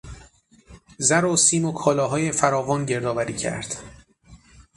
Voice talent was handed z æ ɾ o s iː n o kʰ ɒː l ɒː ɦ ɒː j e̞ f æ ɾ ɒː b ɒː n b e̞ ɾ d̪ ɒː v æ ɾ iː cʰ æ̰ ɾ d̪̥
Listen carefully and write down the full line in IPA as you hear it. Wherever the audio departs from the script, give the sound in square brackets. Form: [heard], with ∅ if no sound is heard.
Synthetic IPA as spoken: z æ ɾ o s iː [m] o kʰ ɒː l ɒː ɦ ɒː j e̞ f æ ɾ ɒː [v] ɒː n [ɟ] e̞ ɾ d̪ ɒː v æ ɾ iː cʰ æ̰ ɾ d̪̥